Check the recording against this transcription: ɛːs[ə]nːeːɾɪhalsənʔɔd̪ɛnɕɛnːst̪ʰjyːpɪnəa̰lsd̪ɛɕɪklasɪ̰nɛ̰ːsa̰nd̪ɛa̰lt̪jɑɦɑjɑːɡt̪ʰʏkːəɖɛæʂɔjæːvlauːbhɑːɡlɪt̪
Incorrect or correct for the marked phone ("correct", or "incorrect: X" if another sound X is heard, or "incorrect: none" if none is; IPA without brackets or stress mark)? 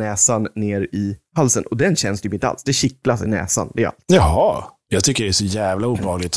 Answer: incorrect: a